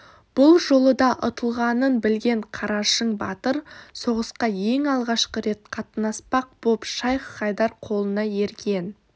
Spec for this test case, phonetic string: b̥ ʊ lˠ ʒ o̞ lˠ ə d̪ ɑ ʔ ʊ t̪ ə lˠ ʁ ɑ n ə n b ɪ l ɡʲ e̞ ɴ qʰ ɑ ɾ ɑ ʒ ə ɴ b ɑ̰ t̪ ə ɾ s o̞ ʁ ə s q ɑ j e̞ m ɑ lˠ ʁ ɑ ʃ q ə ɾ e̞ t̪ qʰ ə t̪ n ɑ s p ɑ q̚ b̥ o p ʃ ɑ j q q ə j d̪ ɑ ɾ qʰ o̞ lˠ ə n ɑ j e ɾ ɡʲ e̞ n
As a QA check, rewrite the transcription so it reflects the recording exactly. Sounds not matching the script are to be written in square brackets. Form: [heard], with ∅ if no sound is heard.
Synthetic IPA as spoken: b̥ ʊ lˠ ʒ o̞ lˠ ə d̪ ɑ ʔ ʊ t̪ ə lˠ ʁ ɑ n ə n b ɪ l ɡʲ e̞ ɴ qʰ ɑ ɾ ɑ [ʃ] ə ɴ b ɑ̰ t̪ ə ɾ s o̞ ʁ ə s q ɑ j e̞ [ŋ] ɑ lˠ ʁ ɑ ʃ q ə ɾ e̞ t̪ qʰ [ɑ] t̪ n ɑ s p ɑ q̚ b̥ o p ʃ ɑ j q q [ɑ] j d̪ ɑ ɾ qʰ o̞ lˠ ə n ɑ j e ɾ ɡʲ e̞ n

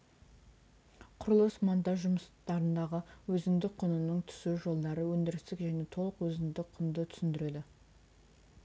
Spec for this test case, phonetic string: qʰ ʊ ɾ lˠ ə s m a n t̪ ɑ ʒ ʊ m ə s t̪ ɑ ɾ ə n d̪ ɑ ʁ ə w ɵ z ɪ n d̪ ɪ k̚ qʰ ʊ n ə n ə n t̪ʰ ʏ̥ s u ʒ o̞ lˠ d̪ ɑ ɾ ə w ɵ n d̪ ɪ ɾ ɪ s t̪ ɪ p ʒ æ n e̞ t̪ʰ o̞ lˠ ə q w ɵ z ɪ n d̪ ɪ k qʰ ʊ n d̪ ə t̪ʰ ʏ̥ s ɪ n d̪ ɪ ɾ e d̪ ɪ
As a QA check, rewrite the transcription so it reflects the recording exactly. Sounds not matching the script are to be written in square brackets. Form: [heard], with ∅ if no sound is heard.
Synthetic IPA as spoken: qʰ ʊ ɾ lˠ ə s m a n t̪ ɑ ʒ ʊ m ə s t̪ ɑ ɾ ə n d̪ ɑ ʁ ə w ɵ z ɪ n d̪ ɪ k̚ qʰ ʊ n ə n ə [ɴ] t̪ʰ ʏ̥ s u ʒ o̞ lˠ d̪ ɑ ɾ ə w ɵ n d̪ ɪ ɾ ɪ s t̪ ɪ [k] ʒ æ n e̞ t̪ʰ o̞ lˠ ə q w ɵ z ɪ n d̪ ɪ k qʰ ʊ n d̪ ə t̪ʰ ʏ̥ s ɪ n d̪ ɪ ɾ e d̪ ɪ

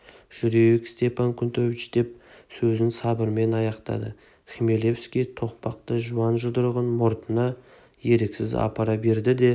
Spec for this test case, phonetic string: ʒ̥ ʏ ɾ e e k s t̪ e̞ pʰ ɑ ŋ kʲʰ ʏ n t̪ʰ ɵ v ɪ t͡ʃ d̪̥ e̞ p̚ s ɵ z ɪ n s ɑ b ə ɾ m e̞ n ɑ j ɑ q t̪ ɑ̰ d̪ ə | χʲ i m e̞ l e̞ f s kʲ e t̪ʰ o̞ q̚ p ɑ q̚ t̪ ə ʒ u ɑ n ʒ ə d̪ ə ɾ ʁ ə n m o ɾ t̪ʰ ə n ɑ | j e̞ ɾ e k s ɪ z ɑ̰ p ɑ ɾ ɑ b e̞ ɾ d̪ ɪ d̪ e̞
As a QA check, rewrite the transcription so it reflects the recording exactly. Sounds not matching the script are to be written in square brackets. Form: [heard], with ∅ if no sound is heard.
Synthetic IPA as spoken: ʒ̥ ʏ ɾ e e k s t̪ e̞ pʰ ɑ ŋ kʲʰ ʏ n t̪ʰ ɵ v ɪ t͡ʃ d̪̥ e̞ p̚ s ɵ z ɪ n s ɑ b ə ɾ m e̞ n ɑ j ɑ q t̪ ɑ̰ d̪ ə | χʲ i m e̞ l e̞ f s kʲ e t̪ʰ o̞ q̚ p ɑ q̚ t̪ ə ʒ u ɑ n ʒ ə d̪ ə ɾ ʁ ə n m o ɾ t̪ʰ ə n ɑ | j e̞ ɾ e k s ɪ z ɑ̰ p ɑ ɾ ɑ b e̞ ɾ d̪ ɪ d̪ e̞

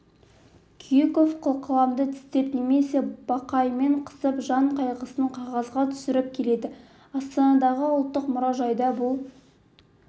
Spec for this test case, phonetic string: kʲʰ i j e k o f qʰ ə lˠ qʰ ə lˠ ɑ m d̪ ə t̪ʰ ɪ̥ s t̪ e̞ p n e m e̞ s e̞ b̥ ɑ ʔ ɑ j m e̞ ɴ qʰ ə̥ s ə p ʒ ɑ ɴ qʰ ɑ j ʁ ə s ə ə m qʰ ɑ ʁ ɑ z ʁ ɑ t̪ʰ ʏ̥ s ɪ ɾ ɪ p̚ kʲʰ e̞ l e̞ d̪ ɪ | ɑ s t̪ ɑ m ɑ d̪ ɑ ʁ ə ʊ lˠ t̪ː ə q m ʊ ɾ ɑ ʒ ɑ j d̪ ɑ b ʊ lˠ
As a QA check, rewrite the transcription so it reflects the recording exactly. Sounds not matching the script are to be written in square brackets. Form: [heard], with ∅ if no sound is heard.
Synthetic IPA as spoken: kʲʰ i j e k o f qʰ ə lˠ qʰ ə lˠ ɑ m d̪ ə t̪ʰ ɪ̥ s t̪ e̞ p n e m e̞ s e̞ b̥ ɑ [q] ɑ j m e̞ ɴ qʰ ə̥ s ə p ʒ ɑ ɴ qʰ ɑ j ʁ ə s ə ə [ɴ] qʰ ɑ ʁ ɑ z ʁ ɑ t̪ʰ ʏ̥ s ɪ ɾ ɪ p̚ kʲʰ e̞ l e̞ d̪ ɪ | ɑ s t̪ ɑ [n] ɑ d̪ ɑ ʁ ə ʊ lˠ t̪ː ə q m ʊ ɾ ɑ ʒ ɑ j d̪ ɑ b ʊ lˠ

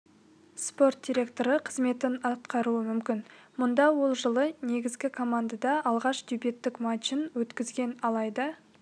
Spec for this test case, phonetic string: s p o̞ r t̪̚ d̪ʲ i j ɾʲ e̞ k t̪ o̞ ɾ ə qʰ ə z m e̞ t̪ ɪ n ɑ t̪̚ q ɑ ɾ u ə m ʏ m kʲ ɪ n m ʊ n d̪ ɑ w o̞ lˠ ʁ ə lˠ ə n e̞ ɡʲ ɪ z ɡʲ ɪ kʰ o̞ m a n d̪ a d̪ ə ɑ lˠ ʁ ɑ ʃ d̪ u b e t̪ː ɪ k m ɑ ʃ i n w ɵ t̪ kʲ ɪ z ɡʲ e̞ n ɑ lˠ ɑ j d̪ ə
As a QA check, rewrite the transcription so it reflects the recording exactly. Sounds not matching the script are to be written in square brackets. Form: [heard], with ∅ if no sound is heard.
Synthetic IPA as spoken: s p o̞ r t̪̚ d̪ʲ i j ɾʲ e̞ k t̪ o̞ ɾ ə qʰ ə z m e̞ t̪ ɪ n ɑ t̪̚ q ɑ ɾ u ə m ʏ m kʲ ɪ n m ʊ n d̪ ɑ w o̞ lˠ [ʒ] ə lˠ ə n e̞ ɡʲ ɪ z ɡʲ ɪ kʰ o̞ m a n d̪ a d̪ [ɑ] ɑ lˠ ʁ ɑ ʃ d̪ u b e t̪ː ɪ k m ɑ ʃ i n w ɵ t̪ kʲ ɪ z ɡʲ e̞ n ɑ lˠ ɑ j d̪ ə

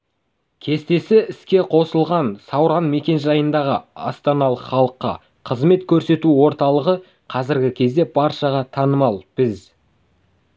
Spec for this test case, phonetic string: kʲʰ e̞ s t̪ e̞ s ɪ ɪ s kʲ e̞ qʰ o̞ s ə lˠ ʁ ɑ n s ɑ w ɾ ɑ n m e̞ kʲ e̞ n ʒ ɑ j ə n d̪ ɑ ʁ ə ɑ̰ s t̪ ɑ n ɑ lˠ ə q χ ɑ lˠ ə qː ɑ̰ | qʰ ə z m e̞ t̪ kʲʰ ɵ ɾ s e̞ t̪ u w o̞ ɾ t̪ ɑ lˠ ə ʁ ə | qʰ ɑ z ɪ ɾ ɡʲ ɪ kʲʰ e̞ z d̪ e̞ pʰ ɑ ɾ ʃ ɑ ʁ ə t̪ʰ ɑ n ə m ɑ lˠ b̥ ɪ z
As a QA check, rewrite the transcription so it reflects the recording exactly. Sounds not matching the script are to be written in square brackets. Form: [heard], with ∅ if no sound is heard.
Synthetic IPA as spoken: kʲʰ e̞ s t̪ e̞ s ɪ ɪ s kʲ e̞ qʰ o̞ s ə lˠ ʁ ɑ n s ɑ w ɾ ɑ n m e̞ kʲ e̞ n ʒ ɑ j ə n d̪ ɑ ʁ ə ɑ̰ s t̪ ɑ n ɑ lˠ ə q χ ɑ lˠ ə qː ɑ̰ | qʰ ə z m e̞ t̪ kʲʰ ɵ ɾ s e̞ t̪ u w o̞ ɾ t̪ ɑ lˠ ə ʁ ə | qʰ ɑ z ɪ ɾ ɡʲ ɪ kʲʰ e̞ z d̪ e̞ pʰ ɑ ɾ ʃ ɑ ʁ [ɑ] t̪ʰ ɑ n ə m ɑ lˠ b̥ ɪ z

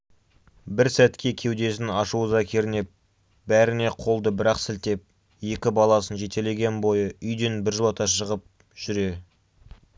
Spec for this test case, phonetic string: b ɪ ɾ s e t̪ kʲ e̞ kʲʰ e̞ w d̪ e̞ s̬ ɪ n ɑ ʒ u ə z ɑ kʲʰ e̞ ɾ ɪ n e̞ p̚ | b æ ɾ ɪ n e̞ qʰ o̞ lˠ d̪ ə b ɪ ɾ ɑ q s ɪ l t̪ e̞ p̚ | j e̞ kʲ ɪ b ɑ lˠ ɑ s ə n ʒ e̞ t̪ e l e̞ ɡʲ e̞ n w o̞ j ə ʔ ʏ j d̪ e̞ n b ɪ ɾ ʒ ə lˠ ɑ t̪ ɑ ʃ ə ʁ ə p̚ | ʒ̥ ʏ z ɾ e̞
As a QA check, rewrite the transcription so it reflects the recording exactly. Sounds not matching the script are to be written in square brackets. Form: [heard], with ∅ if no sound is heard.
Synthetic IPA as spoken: b ɪ ɾ s [æ] t̪ kʲ e̞ kʲʰ e̞ w d̪ e̞ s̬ ɪ n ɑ [ʃ] u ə z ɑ kʲʰ e̞ ɾ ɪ n e̞ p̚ | b æ ɾ ɪ n e̞ qʰ o̞ lˠ d̪ ə b ɪ ɾ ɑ q s ɪ l t̪ e̞ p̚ | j e̞ kʲ ɪ b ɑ lˠ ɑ s ə n ʒ e̞ t̪ e l e̞ ɡʲ e̞ n [b] o̞ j ə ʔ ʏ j d̪ e̞ n b ɪ ɾ ʒ ə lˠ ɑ t̪ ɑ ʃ ə ʁ ə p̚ | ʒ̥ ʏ [∅] ɾ e̞

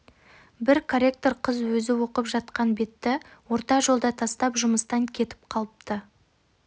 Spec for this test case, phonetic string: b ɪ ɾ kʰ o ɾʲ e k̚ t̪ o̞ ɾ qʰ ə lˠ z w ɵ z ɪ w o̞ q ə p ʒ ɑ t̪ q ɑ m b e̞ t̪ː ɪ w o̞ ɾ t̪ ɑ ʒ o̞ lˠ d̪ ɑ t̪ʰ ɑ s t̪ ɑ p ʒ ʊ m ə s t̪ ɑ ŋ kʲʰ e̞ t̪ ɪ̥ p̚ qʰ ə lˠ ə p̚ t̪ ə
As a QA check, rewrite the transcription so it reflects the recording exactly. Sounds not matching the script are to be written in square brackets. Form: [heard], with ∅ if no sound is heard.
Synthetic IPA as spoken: b ɪ ɾ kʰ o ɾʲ e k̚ t̪ o̞ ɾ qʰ ə [∅] z w ɵ z ɪ w o̞ q ə p ʒ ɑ t̪ q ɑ [n] b e̞ t̪ː ɪ w o̞ ɾ t̪ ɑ ʒ o̞ lˠ d̪ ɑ t̪ʰ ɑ s t̪ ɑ p ʒ ʊ m ə s t̪ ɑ ŋ kʲʰ e̞ t̪ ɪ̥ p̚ qʰ [ɑ] lˠ ə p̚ t̪ ə

